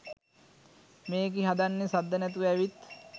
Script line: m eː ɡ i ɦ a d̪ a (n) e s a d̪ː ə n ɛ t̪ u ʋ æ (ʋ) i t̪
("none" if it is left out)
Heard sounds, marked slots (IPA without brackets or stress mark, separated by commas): nː, ʋ